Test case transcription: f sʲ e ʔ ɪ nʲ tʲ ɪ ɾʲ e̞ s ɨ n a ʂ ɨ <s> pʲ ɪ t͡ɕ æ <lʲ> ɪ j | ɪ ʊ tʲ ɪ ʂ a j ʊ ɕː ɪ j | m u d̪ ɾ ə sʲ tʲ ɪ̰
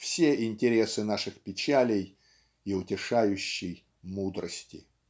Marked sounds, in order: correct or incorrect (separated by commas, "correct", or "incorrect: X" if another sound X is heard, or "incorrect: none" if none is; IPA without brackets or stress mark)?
incorrect: x, correct